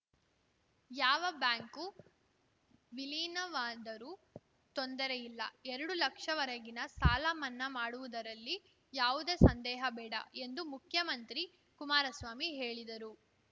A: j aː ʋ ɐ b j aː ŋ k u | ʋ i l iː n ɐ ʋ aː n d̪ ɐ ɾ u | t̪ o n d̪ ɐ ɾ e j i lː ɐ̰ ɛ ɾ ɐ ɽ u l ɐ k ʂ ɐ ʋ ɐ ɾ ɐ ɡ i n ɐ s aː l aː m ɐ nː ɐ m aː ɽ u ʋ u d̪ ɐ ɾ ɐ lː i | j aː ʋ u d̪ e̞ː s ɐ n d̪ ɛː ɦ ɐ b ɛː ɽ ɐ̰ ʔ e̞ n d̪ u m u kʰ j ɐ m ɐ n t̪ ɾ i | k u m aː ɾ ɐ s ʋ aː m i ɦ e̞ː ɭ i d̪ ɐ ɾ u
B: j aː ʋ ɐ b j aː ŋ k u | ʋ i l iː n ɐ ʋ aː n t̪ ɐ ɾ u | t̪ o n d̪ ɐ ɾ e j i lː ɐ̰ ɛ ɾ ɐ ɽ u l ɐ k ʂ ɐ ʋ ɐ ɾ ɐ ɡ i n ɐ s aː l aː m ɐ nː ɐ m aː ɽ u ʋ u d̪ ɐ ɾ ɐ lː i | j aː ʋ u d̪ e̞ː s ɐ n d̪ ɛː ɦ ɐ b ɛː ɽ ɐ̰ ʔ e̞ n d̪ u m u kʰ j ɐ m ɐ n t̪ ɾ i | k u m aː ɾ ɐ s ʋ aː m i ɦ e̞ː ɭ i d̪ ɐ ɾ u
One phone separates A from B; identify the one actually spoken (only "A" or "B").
A